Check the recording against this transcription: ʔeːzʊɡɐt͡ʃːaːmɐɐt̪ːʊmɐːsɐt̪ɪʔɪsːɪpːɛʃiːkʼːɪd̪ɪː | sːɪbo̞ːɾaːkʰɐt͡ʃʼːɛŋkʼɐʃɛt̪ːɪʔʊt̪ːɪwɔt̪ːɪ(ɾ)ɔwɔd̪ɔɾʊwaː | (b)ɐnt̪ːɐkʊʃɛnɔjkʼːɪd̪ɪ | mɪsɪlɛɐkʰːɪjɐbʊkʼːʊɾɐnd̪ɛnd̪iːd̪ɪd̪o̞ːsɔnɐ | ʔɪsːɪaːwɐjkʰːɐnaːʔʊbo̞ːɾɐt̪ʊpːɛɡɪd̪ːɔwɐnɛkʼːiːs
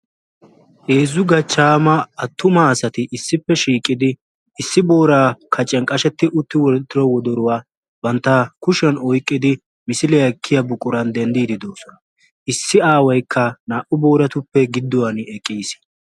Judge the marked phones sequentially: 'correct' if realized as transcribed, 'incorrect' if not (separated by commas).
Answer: correct, correct